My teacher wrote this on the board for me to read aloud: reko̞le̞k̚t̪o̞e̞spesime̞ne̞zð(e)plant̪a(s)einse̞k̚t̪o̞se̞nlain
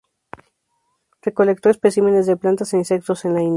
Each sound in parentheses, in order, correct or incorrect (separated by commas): correct, correct